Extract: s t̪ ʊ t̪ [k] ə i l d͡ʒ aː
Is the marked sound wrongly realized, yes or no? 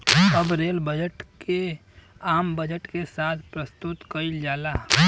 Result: no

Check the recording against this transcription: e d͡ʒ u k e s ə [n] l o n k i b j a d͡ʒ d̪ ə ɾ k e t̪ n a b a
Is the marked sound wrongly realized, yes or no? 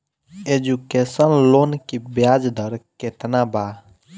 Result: no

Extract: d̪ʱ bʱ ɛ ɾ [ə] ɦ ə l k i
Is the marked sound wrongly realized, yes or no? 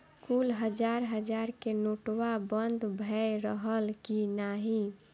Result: no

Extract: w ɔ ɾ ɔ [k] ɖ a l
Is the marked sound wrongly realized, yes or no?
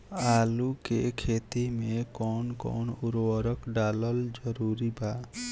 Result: no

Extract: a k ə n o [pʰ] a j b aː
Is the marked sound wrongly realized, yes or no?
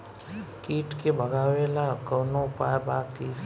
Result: yes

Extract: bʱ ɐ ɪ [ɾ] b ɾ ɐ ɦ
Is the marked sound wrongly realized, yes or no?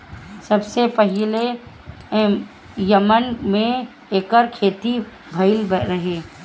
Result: yes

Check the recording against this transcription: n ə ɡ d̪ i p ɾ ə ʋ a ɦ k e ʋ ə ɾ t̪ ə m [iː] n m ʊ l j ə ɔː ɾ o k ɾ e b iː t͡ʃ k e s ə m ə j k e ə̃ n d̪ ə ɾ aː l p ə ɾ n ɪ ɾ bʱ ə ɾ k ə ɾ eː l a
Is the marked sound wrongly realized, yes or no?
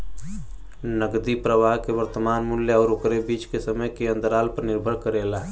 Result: yes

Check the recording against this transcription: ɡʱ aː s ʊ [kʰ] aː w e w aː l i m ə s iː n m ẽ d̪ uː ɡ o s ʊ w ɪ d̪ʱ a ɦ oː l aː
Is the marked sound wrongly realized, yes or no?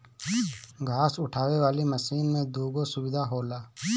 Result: yes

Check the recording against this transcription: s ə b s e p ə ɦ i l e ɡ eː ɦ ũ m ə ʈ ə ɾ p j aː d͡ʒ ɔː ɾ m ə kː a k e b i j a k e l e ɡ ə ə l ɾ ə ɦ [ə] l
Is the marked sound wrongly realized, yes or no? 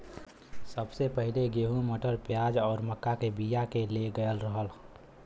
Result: no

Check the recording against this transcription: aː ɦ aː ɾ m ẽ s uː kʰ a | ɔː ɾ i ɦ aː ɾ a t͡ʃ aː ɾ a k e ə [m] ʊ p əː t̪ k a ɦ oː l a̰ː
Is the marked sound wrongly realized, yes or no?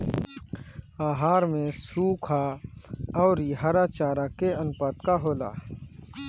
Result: yes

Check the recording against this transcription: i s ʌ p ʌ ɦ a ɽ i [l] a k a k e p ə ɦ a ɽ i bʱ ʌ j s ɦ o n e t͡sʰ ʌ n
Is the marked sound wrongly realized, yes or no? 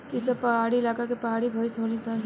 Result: no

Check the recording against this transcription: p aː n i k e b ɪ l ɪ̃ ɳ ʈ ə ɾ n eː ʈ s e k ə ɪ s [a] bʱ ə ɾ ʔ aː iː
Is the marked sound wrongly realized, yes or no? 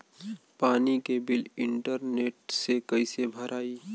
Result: yes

